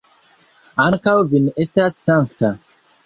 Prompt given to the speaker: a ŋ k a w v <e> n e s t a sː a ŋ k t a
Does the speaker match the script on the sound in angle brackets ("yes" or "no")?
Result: no